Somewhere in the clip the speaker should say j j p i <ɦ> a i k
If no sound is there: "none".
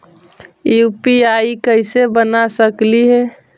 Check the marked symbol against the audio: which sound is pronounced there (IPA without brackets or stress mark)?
none